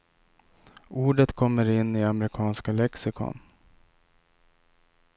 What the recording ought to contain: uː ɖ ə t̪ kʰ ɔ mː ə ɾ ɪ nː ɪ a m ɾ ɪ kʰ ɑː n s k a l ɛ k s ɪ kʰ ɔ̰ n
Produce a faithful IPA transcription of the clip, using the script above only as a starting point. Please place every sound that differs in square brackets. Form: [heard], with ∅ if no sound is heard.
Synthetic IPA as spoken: uː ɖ ə t̪ kʰ ɔ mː ə ɾ ɪ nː ɪ a m ɾ ɪ kʰ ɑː n s k a l ɛ k s ɪ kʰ ɔ̰ n